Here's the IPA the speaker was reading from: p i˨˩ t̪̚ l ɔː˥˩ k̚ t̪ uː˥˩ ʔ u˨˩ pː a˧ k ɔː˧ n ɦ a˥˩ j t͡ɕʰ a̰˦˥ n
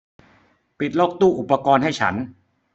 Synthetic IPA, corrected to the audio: p i˨˩ t̪̚ l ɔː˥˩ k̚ t̪ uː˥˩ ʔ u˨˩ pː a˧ k ɔː˧ n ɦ a˥˩ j t͡ɕʰ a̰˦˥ n